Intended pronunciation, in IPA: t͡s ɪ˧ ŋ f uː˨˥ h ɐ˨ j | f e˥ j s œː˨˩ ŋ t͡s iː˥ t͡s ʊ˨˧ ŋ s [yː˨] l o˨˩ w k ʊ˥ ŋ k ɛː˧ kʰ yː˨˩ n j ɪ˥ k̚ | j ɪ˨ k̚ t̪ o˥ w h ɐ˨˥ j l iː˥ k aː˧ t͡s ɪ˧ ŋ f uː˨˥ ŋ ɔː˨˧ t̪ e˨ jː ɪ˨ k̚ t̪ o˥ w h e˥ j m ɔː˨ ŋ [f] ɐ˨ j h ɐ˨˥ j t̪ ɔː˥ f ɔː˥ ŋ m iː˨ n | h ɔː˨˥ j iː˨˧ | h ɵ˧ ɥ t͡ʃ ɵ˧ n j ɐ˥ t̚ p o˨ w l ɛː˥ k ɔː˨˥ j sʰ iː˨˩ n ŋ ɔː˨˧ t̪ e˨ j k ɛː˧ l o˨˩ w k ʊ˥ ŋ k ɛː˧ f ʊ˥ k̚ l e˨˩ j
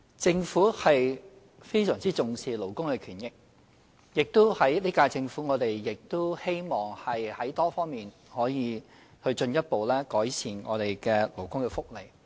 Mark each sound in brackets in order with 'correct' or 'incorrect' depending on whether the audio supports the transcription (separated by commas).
incorrect, incorrect